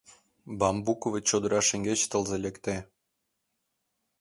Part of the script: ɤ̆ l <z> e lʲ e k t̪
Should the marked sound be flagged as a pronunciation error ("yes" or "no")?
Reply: no